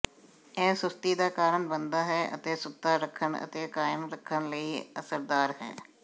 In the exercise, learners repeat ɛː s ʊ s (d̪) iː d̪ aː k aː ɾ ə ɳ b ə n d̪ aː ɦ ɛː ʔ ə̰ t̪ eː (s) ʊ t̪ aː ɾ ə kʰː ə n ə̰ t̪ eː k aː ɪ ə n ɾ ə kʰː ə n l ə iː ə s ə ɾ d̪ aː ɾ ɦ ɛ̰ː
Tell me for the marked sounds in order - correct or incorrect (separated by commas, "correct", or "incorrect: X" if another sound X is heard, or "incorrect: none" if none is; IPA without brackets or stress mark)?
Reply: incorrect: t̪, correct